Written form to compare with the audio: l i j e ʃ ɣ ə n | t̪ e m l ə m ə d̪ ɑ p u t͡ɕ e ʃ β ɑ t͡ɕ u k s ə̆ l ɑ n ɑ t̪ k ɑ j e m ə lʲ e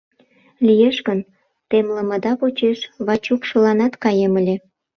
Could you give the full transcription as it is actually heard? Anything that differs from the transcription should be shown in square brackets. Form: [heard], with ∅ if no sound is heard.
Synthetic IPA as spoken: l i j e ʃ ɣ ə n | t̪ e m l ə m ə d̪ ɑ p [o] t͡ɕ e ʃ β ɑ t͡ɕ u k [ʃ] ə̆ l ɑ n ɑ t̪ k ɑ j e m ə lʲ e